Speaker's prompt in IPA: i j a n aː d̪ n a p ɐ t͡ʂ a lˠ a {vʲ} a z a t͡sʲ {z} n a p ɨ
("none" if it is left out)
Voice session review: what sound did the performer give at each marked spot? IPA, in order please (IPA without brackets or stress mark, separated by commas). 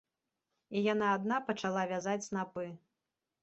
vʲ, s